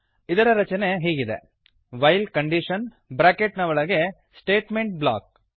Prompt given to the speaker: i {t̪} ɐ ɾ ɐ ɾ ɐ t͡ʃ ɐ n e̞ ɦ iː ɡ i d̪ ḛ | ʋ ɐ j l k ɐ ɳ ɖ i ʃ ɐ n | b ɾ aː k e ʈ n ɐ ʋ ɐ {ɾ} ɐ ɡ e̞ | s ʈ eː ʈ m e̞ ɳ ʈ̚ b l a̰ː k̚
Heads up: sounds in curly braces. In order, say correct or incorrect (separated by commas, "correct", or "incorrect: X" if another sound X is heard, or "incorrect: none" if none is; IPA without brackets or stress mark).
incorrect: d̪, incorrect: ɭ